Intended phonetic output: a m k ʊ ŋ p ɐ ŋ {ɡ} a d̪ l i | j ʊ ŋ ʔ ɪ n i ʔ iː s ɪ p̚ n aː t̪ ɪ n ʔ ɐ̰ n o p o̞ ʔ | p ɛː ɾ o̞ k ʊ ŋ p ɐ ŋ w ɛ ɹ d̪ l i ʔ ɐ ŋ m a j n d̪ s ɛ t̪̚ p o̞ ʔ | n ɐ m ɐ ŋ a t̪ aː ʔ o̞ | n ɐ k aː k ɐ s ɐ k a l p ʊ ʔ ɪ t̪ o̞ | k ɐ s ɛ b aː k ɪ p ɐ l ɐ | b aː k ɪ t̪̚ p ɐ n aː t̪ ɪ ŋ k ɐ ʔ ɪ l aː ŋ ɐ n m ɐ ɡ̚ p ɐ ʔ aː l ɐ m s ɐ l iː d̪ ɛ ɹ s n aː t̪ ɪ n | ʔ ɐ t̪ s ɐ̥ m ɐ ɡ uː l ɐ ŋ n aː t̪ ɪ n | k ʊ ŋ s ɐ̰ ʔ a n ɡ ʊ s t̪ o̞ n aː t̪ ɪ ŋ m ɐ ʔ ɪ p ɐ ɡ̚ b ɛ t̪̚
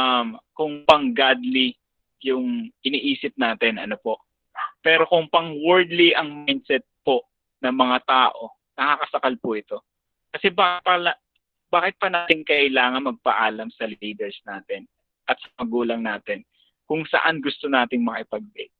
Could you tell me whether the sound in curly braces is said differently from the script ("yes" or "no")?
no